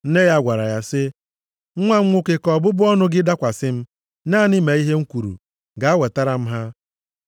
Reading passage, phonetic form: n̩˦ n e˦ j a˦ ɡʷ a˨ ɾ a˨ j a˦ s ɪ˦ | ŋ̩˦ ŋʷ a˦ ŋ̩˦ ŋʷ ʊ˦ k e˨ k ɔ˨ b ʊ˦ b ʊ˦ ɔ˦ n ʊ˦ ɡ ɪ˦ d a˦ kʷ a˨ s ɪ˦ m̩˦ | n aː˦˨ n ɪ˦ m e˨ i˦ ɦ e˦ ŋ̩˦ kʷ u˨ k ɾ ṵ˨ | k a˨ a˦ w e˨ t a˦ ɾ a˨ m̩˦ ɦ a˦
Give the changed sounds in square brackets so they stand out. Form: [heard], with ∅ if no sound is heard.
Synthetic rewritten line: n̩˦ n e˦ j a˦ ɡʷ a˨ ɾ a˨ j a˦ s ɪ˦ | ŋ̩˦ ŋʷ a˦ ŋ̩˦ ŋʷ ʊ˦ k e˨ k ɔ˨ b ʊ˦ b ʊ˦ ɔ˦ n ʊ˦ ɡ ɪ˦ d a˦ kʷ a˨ s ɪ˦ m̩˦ | n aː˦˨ n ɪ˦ m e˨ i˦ ɦ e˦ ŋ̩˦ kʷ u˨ [∅] ɾ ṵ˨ | [ɡ] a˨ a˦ w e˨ t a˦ ɾ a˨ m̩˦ ɦ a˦